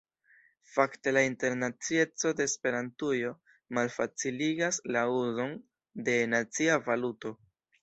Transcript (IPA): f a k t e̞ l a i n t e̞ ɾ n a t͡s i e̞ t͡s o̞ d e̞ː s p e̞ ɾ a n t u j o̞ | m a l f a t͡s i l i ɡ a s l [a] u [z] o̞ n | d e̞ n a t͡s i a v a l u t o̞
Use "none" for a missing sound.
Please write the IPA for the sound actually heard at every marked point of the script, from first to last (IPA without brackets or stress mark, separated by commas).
a, z